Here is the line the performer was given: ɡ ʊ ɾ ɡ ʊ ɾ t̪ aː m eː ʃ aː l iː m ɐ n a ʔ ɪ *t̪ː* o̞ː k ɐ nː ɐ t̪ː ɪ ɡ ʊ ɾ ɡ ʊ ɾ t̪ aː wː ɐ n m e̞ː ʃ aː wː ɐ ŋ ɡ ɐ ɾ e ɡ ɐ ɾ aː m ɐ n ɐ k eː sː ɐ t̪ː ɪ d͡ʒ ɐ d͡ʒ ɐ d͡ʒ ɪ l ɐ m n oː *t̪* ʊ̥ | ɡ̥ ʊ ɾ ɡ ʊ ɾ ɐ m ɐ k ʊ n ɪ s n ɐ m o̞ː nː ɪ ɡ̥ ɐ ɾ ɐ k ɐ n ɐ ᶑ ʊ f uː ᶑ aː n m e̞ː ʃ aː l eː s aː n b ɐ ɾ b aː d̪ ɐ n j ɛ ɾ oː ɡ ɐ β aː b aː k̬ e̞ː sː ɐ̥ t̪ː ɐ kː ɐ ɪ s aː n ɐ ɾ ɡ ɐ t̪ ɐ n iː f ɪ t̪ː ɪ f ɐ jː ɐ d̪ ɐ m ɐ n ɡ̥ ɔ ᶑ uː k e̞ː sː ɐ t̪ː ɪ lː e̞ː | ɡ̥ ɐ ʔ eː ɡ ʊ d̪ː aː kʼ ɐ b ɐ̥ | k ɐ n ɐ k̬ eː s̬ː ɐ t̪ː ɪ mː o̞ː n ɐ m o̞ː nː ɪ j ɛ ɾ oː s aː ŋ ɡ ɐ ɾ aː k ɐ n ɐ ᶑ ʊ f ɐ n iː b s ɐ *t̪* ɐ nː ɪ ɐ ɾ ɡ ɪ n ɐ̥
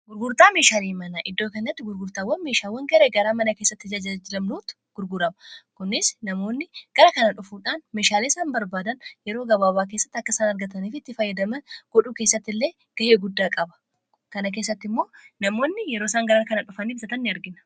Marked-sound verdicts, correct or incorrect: incorrect: d̪ː, correct, correct

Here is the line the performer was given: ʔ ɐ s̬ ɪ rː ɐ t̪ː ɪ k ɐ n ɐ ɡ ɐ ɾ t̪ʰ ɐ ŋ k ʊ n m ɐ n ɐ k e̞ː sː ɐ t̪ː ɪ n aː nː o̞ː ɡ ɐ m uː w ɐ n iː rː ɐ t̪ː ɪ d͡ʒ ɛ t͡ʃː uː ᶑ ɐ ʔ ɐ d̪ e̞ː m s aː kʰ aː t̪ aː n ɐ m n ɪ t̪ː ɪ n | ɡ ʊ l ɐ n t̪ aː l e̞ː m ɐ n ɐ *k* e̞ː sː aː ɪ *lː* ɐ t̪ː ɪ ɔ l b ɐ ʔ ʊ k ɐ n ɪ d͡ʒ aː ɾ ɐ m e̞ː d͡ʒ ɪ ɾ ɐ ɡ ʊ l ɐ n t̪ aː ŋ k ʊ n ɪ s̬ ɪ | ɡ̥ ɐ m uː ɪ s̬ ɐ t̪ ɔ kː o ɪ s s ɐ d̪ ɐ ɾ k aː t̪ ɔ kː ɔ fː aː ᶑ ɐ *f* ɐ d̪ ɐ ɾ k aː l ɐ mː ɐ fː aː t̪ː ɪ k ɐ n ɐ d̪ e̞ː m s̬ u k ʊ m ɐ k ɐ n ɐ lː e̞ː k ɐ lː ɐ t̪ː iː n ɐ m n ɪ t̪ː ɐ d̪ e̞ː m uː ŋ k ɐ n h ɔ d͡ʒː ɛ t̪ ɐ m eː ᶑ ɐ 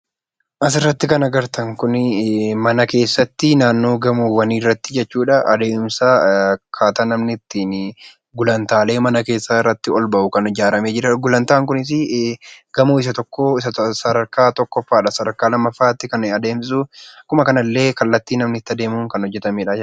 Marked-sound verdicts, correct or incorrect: correct, incorrect: rː, incorrect: s

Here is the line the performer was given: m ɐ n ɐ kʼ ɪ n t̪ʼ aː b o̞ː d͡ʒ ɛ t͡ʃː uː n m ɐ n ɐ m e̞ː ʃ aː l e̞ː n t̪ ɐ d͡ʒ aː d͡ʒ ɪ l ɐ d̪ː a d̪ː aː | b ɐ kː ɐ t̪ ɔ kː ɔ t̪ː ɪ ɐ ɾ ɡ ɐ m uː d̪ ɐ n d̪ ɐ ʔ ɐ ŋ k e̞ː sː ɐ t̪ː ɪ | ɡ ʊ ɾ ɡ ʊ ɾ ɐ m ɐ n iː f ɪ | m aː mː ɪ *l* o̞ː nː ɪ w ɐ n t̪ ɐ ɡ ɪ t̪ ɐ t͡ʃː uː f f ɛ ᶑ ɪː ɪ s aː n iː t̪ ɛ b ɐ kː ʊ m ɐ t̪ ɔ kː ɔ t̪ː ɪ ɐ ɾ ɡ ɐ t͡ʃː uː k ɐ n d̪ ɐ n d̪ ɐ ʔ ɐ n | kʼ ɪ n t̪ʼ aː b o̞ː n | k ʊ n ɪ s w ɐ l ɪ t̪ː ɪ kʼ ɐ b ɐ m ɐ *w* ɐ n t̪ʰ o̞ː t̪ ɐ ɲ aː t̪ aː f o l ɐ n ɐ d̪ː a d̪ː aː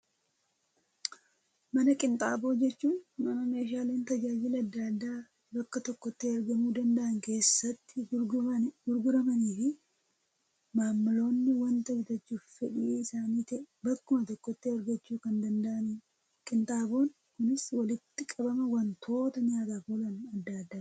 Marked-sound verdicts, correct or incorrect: correct, correct

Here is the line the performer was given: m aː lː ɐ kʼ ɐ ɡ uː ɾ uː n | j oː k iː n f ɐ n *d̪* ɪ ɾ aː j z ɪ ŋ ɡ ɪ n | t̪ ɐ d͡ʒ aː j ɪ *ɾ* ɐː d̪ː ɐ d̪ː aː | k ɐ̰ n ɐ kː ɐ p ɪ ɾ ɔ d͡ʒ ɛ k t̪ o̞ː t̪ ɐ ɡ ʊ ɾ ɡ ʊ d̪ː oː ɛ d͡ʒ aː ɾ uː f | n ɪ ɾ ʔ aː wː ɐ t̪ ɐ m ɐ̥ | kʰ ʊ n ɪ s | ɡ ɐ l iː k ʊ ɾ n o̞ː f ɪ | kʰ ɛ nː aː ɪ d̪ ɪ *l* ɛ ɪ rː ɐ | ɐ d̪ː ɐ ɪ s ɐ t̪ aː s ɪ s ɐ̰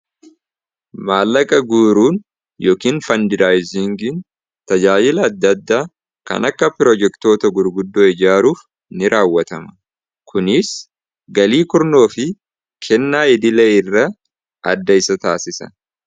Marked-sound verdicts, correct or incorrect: correct, incorrect: l, correct

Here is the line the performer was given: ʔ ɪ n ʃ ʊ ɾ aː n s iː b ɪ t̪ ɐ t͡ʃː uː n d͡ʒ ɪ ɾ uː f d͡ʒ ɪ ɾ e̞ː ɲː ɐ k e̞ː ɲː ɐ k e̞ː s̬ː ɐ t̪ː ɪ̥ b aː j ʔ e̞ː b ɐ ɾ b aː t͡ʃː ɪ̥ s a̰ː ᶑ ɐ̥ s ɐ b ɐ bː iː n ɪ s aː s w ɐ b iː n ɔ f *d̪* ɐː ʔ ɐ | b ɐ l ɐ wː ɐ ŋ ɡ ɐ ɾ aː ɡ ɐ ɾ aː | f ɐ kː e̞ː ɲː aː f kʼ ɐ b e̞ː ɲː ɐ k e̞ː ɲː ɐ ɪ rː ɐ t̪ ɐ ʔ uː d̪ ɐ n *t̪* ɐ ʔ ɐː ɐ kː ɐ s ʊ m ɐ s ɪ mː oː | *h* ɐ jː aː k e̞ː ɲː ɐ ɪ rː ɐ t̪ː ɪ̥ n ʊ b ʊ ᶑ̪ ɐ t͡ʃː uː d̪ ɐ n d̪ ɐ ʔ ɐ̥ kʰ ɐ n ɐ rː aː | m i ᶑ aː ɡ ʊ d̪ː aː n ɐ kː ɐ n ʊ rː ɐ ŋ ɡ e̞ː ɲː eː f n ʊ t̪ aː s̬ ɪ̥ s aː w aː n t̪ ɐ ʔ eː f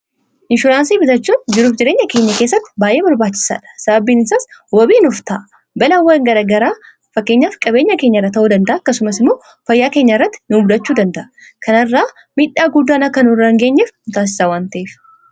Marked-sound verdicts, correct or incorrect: incorrect: t̪, incorrect: d̪, incorrect: f

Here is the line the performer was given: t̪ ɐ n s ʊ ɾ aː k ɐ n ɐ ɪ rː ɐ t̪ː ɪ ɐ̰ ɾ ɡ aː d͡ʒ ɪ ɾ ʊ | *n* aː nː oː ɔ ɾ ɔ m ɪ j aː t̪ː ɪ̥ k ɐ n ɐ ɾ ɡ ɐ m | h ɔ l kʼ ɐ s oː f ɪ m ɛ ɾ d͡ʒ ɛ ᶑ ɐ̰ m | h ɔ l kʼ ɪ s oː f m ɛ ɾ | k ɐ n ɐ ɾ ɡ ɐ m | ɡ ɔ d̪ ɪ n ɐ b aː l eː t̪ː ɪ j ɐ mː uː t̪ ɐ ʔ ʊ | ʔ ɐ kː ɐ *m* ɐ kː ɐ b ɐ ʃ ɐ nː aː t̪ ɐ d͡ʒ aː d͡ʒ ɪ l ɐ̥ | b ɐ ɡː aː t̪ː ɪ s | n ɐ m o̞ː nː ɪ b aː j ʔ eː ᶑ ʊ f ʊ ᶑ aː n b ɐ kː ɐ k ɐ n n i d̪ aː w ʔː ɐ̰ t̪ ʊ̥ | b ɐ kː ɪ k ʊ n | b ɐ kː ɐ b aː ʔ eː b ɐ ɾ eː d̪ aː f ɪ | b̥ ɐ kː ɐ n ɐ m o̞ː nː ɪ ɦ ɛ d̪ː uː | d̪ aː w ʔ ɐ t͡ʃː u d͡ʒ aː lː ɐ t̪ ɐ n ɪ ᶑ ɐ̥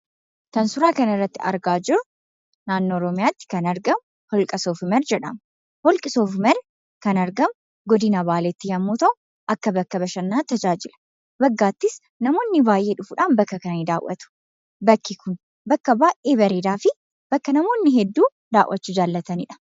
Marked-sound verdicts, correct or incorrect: correct, incorrect: b

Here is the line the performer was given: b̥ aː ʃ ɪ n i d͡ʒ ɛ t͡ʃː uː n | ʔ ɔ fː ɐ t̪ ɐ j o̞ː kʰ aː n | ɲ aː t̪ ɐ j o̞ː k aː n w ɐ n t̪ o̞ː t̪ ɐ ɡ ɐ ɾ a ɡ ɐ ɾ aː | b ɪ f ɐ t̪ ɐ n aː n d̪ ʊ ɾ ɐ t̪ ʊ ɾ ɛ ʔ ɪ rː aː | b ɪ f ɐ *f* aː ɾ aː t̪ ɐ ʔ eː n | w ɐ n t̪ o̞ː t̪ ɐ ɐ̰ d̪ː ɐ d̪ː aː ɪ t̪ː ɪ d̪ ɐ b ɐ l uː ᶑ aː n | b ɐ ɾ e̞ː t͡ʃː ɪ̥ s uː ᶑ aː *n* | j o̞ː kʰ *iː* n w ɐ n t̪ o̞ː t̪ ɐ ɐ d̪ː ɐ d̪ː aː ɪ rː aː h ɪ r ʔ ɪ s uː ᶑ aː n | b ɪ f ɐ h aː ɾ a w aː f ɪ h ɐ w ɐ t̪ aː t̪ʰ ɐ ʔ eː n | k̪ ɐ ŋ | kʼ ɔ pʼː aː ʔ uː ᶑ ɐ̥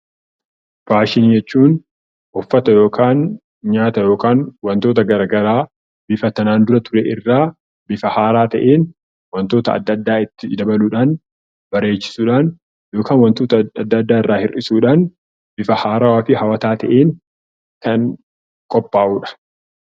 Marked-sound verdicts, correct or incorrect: incorrect: h, correct, incorrect: aː

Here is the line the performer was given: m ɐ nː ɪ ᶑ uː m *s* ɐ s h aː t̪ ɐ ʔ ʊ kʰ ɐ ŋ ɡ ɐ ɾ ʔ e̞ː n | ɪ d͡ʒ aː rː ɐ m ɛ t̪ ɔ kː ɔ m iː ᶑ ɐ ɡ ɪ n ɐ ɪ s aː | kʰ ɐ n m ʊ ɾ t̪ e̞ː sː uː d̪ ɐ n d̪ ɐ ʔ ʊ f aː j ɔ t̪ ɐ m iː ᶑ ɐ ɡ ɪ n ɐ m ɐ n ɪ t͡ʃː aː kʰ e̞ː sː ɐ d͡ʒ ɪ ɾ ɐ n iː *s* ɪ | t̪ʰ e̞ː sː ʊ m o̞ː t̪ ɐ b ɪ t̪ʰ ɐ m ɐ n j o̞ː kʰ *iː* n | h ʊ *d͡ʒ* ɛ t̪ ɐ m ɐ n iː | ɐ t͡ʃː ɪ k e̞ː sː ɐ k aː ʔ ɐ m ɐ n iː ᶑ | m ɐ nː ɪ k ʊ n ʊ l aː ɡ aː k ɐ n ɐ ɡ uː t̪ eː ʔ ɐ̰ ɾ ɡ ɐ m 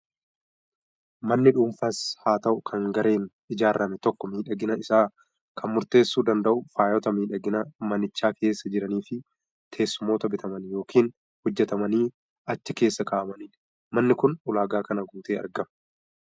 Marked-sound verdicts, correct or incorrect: incorrect: f, incorrect: f, correct, incorrect: d͡ʒː

